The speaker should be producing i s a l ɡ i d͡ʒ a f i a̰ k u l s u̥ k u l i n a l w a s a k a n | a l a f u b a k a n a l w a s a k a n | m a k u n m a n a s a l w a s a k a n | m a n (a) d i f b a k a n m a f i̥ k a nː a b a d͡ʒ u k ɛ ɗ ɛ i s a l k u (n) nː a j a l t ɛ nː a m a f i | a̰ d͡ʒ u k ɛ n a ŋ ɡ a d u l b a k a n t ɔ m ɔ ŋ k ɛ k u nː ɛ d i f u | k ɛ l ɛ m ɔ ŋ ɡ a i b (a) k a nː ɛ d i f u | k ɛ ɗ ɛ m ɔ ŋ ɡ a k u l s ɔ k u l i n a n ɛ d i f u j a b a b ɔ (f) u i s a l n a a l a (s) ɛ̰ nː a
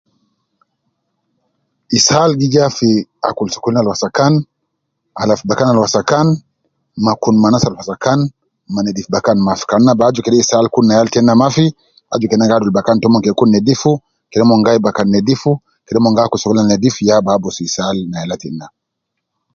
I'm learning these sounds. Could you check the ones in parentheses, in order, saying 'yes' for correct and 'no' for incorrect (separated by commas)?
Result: no, yes, yes, no, no